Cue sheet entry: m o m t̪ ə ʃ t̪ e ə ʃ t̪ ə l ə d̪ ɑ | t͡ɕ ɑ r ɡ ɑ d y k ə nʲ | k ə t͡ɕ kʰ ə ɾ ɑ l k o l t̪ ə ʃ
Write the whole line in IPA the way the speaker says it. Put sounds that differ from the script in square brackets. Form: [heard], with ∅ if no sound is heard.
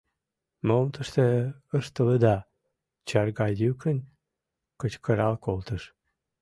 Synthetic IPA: m o m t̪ ə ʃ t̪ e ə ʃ t̪ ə l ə d̪ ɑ | t͡ɕ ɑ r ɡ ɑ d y k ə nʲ | k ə t͡ɕ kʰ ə ɾ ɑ l k o l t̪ ə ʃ